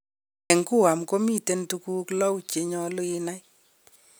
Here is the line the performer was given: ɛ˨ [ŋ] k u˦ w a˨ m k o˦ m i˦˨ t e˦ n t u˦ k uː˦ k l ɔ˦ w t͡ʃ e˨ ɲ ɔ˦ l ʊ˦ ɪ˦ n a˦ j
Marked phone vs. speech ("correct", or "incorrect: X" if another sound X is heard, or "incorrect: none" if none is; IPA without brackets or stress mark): correct